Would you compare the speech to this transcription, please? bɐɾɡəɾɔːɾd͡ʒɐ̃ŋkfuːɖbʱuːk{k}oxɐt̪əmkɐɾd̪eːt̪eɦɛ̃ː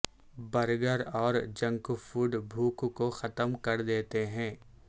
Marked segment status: correct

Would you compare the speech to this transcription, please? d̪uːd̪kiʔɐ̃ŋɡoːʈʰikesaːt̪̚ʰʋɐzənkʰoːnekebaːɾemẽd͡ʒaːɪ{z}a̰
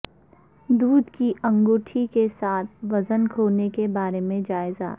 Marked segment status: correct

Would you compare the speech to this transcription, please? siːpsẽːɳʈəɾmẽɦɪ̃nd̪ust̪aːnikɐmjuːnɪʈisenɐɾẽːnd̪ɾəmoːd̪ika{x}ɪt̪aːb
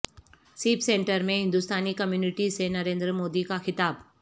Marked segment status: correct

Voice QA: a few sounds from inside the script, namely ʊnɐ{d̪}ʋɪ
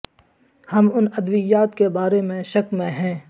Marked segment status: correct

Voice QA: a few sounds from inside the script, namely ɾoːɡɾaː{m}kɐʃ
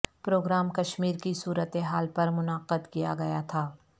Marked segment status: correct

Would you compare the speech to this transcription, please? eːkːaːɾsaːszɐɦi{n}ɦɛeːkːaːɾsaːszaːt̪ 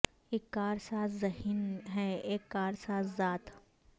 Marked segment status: correct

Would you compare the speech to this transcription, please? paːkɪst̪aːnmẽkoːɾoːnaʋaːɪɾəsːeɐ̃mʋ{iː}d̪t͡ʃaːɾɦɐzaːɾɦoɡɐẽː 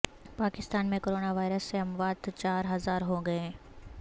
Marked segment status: incorrect: aː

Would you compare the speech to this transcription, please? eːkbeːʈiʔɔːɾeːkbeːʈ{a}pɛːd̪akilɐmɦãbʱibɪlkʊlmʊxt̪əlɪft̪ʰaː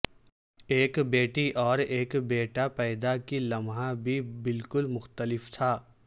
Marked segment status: correct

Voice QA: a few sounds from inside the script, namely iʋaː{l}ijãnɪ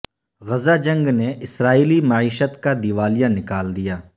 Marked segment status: correct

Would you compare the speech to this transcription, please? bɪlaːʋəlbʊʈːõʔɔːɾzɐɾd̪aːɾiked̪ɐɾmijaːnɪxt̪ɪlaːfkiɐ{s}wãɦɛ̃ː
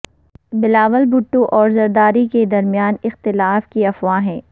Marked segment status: incorrect: f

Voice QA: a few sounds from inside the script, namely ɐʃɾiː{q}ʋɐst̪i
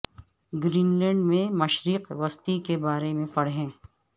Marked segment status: correct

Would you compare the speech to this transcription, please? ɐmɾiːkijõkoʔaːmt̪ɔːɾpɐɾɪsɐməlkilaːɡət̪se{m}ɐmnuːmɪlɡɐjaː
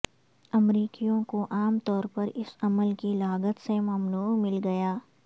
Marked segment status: correct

